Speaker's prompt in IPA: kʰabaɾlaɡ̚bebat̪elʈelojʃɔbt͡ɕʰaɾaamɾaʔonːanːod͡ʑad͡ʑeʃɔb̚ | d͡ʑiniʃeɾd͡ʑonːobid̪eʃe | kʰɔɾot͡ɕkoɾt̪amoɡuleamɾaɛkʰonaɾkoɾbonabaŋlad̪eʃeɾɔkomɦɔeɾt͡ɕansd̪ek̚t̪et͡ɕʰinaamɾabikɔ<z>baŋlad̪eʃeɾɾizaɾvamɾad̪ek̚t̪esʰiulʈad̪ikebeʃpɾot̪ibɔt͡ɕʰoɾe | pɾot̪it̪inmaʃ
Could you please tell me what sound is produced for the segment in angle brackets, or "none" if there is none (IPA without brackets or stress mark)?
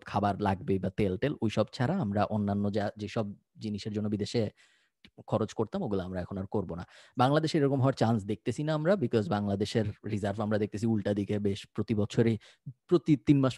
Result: z